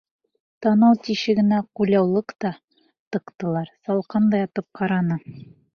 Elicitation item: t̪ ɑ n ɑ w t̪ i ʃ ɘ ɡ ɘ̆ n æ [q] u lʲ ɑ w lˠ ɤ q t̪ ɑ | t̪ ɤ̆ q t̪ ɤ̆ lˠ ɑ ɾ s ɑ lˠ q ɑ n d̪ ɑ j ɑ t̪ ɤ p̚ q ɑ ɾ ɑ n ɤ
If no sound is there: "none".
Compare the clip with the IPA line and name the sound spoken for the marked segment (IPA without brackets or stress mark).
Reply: q